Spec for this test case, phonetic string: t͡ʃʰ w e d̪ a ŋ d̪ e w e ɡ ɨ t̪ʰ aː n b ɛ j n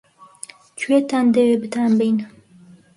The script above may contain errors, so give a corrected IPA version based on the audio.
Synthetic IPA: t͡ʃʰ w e t̪ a n d̪ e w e b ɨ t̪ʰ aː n b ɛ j n